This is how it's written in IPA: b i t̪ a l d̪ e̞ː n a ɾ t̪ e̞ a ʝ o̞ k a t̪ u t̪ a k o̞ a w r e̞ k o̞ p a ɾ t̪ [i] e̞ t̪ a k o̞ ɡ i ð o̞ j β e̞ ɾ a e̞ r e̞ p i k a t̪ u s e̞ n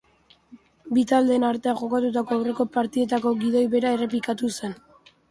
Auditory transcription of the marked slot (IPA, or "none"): i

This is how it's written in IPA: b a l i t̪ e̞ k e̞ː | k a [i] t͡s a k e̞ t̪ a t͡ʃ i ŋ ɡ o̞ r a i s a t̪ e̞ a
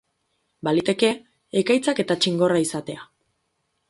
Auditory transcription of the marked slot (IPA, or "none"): j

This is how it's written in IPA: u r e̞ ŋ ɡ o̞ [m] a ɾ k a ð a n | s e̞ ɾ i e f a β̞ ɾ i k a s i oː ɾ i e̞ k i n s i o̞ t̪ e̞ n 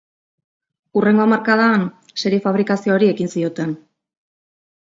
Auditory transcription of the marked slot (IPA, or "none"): m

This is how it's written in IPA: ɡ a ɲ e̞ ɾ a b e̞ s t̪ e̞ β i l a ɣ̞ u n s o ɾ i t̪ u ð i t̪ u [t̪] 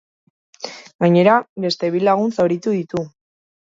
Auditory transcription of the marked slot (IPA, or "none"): none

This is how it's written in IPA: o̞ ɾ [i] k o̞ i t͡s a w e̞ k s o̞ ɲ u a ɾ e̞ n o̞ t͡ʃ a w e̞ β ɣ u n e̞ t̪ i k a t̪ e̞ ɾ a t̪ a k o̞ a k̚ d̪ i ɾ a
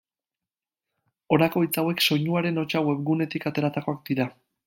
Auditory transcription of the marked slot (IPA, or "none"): a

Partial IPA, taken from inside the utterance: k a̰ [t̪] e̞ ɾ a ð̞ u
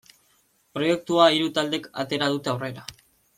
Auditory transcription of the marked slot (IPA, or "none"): t̪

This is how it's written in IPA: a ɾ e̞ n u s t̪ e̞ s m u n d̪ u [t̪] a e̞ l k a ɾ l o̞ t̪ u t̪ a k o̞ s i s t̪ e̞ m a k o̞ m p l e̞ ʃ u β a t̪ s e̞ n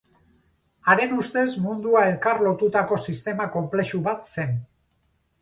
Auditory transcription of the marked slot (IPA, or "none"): none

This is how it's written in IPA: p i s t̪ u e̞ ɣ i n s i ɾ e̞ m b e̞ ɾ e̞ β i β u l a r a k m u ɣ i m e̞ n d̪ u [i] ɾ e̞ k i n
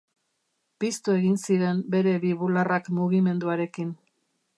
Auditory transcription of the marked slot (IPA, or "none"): a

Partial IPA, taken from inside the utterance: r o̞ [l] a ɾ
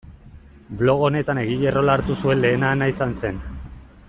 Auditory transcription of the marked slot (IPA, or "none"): l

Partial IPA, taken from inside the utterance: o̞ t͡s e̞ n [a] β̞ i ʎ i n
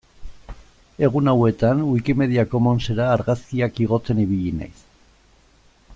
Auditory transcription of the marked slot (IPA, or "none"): i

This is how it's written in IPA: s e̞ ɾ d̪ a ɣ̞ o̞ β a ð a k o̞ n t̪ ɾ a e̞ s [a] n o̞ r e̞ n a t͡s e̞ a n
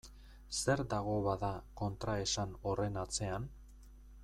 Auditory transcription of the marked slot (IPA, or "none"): a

